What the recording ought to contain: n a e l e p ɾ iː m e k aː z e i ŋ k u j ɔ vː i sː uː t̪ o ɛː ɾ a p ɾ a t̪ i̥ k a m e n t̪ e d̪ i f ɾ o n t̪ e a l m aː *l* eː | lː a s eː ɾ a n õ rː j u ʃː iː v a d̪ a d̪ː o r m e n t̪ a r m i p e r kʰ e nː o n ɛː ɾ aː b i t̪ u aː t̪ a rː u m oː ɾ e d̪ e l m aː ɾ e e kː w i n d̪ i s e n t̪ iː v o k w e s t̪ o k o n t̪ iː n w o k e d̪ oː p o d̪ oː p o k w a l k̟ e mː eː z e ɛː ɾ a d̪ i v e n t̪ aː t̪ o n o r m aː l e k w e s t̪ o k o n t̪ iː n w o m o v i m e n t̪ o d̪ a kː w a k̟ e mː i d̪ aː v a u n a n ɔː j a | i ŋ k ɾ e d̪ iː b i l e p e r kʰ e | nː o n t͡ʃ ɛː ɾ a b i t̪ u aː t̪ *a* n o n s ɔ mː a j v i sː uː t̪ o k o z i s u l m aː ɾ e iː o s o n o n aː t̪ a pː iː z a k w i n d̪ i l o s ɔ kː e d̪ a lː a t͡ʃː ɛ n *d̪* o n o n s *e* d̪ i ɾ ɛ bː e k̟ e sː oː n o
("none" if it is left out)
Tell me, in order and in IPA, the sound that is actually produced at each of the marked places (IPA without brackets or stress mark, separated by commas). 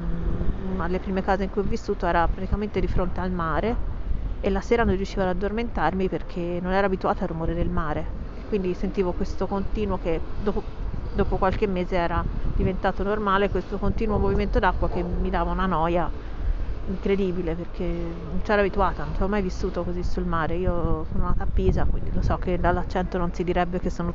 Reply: ɾ, a, t̪, i